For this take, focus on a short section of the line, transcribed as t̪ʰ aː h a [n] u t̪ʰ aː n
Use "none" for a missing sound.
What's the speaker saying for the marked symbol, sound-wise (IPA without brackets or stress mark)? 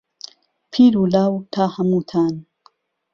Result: m